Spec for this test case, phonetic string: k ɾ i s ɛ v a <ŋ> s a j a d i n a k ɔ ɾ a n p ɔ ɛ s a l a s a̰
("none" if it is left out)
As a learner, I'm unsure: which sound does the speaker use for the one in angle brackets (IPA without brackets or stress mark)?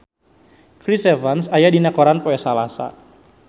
n